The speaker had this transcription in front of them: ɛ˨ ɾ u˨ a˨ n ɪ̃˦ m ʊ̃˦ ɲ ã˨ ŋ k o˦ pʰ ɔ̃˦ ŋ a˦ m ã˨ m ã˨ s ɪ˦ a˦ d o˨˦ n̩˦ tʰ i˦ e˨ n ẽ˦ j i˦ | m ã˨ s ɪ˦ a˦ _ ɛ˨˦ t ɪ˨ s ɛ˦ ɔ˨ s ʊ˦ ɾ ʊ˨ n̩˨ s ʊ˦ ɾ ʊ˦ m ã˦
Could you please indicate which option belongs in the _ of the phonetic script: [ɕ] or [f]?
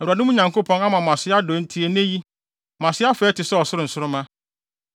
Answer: f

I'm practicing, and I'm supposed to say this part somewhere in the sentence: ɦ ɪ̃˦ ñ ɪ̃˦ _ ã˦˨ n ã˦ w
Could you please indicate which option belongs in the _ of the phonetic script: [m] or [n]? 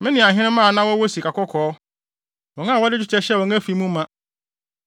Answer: m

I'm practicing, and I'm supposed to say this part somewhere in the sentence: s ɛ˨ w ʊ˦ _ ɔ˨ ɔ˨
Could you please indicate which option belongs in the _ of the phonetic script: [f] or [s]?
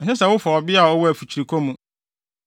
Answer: f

